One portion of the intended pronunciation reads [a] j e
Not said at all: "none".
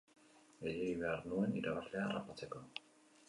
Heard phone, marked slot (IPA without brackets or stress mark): e